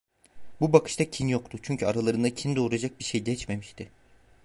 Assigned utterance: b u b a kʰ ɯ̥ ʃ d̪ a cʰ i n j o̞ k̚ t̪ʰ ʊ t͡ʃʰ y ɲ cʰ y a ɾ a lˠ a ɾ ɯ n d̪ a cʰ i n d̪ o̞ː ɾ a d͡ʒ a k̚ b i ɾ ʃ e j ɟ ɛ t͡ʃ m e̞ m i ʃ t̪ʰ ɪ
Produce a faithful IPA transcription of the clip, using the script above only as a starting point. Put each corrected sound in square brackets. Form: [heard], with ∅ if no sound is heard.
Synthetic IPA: b u b a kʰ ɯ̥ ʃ [t̪] a cʰ i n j o̞ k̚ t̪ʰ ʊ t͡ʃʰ y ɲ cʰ y a ɾ a lˠ a ɾ ɯ n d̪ a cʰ i n d̪ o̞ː ɾ a d͡ʒ a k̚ b i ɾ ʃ e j ɟ ɛ t͡ʃ m e̞ m i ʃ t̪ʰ ɪ